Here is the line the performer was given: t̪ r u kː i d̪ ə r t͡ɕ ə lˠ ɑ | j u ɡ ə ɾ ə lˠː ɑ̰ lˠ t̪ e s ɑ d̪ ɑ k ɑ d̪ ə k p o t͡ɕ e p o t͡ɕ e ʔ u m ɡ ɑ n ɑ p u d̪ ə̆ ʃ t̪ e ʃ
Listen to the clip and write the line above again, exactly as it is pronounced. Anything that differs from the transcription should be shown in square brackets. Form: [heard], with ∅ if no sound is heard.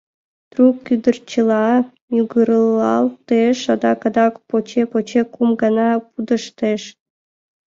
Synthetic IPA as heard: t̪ r u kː [y] d̪ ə r t͡ɕ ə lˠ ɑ | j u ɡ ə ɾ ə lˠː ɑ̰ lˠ t̪ e [ʃ] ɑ d̪ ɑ k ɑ d̪ [ɑ] k p o t͡ɕ e p o t͡ɕ e [k] u m ɡ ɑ n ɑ p u d̪ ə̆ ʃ t̪ e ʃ

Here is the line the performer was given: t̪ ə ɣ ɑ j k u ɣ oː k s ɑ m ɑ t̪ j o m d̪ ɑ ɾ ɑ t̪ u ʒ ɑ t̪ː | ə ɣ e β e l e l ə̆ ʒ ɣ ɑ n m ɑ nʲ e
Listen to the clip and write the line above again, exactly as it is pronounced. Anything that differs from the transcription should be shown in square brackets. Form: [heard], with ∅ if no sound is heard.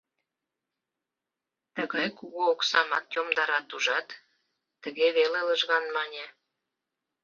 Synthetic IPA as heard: t̪ ə ɣ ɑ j k u ɣ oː k s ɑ m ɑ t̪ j o m d̪ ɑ ɾ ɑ t̪ u ʒ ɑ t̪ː | ə ɣ e β e l e l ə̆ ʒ ɣ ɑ n m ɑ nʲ e

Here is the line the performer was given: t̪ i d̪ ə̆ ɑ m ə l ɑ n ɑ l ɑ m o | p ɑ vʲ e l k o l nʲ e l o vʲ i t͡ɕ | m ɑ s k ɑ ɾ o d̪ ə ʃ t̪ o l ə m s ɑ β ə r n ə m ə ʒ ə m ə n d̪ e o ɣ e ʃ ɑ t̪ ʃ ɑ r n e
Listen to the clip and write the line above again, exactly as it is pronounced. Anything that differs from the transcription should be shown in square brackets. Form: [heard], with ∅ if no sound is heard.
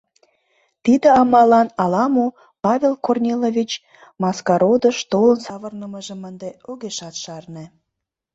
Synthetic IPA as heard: t̪ i d̪ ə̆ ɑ m [ɑ] l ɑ n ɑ l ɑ m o | p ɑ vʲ e l k o [r] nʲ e l o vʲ i t͡ɕ | m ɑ s k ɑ ɾ o d̪ ə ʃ t̪ o l ə [n] s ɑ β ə r n ə m ə ʒ ə m ə n d̪ e o ɣ e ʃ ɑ t̪ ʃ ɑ r n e

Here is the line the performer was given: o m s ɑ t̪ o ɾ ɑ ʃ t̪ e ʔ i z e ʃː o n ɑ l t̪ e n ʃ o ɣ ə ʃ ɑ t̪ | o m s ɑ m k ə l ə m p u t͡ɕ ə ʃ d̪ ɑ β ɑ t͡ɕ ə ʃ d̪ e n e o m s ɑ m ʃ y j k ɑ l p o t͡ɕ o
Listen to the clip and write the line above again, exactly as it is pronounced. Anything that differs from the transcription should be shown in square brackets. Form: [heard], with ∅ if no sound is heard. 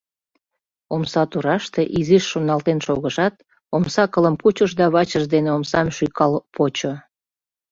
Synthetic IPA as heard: o m s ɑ t̪ [u] ɾ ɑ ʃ t̪ e ʔ i z [i] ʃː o n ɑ l t̪ e n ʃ o ɣ ə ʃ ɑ t̪ | o m s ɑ [∅] k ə l ə m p u t͡ɕ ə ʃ d̪ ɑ β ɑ t͡ɕ ə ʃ d̪ e n e o m s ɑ m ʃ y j k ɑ l p o t͡ɕ o

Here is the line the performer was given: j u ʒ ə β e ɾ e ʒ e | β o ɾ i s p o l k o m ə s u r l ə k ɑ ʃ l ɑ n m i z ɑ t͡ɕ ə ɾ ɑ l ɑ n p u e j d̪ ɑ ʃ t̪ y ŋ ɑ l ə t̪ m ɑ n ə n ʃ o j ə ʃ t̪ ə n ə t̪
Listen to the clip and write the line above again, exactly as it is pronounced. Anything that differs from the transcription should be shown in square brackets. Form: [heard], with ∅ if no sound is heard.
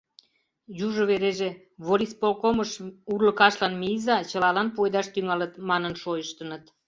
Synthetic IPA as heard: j u ʒ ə β e ɾ e ʒ e | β o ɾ i s p o l k o m ə [ʃ] u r l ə k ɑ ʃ l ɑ n m i z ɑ t͡ɕ ə [l] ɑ l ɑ n p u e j d̪ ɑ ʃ t̪ y ŋ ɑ l ə t̪ m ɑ n ə n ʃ o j ə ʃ t̪ ə n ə t̪

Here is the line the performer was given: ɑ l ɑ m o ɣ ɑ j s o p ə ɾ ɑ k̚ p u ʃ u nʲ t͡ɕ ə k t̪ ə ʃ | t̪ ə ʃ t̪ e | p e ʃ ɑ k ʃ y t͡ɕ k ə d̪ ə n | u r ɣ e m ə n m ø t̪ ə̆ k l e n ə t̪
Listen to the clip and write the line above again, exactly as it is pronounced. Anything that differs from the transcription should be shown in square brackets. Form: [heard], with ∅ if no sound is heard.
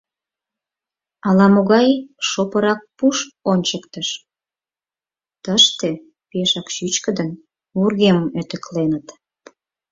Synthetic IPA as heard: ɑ l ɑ m o ɣ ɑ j [ʃ] o p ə ɾ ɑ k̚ p u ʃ [o] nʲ t͡ɕ ə k t̪ ə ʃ | t̪ ə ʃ t̪ e | p e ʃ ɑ k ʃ y t͡ɕ k ə d̪ ə n | u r ɣ e m ə [∅] m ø t̪ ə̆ k l e n ə t̪

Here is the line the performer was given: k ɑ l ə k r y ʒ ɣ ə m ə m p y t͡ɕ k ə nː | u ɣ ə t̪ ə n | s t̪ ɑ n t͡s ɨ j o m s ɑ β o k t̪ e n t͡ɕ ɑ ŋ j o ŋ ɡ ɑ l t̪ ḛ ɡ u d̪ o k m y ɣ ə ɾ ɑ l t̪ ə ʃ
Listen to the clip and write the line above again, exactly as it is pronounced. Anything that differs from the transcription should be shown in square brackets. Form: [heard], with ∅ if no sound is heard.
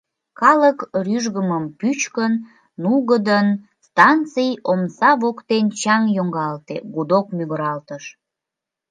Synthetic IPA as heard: k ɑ l ə k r y ʒ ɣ ə m ə m p y t͡ɕ k ə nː | u ɣ ə [d̪] ə n | s t̪ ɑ n t͡s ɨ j o m s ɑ β o k t̪ e n t͡ɕ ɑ ŋ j o ŋ ɡ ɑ l t̪ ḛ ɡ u d̪ o k m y ɣ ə ɾ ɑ l t̪ ə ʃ

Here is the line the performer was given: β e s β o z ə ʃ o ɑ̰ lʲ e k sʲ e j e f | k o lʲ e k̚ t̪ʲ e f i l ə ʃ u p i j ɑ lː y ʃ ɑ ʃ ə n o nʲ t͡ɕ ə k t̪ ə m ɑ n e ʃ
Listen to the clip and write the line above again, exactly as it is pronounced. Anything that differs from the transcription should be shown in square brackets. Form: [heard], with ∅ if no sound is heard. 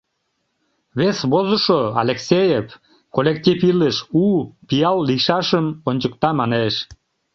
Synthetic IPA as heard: β e s β o z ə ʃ o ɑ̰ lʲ e k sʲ e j e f | k o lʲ e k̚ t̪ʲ [i] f i l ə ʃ u p i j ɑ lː [i] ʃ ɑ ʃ ə [m] o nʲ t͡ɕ ə k t̪ [ɑ] m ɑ n e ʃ

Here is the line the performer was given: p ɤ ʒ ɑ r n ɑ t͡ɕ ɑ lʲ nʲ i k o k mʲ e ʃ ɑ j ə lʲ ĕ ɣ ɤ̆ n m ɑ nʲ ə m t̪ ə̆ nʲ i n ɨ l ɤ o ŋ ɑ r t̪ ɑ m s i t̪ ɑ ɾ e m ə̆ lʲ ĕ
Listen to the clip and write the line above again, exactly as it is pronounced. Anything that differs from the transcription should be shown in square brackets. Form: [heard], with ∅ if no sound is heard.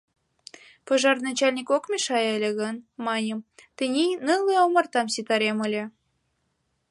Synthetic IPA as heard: p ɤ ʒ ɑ r n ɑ t͡ɕ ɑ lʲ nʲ i k o k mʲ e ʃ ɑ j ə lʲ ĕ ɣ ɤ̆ n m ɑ nʲ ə m t̪ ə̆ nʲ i n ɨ l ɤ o [m] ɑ r t̪ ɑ m s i t̪ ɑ ɾ e m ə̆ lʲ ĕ

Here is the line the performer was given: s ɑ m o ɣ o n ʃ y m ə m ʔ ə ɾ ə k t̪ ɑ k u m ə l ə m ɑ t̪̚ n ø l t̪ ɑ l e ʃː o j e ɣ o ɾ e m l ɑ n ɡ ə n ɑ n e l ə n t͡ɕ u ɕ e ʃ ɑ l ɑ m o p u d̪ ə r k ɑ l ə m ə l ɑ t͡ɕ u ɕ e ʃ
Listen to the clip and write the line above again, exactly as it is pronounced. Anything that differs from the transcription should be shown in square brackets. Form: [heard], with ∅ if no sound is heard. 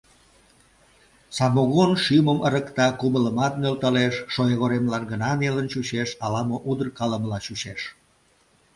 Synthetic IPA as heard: s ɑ m o ɣ o n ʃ y m ə m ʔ ə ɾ ə k t̪ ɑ k u m ə l ə m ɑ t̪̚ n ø l t̪ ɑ l e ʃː o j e ɣ o ɾ e m l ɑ n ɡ ə n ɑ n e l ə n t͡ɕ u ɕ e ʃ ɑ l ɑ m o [ʔ] u d̪ ə r k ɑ l ə m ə l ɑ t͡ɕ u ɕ e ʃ

